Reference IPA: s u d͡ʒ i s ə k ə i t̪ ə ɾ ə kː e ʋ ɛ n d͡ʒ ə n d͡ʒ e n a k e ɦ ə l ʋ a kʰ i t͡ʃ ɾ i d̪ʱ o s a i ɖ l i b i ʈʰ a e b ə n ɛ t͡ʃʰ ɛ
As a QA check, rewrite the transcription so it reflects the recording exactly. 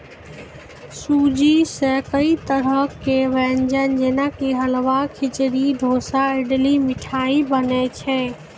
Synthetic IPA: s u d͡ʒ i s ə k ə i t̪ ə ɾ ə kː e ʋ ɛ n d͡ʒ ə n d͡ʒ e n a k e ɦ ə l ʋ a kʰ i t͡ʃ ɾ i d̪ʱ o s a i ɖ l i m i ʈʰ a i b ə n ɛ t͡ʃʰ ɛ